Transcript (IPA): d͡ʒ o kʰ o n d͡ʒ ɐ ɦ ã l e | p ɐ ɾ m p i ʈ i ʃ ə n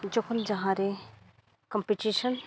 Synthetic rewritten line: d͡ʒ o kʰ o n d͡ʒ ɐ ɦ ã ɾ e | k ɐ m p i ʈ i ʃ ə n